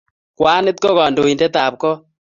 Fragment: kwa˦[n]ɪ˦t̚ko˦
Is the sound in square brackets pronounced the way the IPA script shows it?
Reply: yes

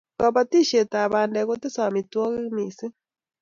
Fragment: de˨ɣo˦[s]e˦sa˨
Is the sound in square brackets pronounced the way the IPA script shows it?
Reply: no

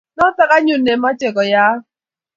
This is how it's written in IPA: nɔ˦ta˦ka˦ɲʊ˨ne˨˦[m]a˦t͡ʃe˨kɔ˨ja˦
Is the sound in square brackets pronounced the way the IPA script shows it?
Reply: yes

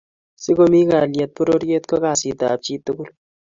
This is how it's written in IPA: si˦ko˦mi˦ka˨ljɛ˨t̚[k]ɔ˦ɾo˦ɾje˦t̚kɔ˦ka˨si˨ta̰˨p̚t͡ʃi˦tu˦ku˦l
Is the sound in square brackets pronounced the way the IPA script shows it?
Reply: no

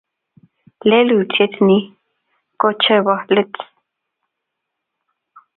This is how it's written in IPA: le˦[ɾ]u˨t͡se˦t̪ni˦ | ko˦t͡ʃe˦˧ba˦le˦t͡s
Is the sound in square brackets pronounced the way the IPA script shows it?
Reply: no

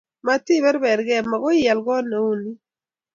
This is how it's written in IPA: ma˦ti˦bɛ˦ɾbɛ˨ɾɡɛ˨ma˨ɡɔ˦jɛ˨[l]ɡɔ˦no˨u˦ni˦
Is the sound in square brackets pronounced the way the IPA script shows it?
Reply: yes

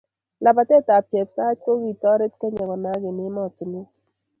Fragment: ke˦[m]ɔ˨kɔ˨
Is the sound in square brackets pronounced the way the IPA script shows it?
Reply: no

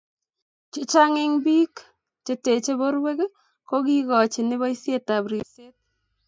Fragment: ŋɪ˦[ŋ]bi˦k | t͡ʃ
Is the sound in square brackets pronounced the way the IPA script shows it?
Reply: yes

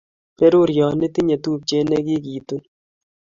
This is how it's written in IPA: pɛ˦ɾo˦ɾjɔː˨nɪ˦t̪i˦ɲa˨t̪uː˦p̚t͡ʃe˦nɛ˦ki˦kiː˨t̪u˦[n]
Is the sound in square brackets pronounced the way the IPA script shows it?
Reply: yes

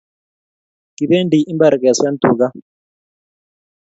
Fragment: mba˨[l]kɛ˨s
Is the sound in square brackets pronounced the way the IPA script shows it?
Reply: no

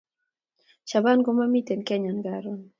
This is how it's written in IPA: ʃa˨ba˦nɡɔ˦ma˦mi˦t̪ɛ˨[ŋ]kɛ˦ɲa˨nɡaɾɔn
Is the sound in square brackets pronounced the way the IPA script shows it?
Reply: no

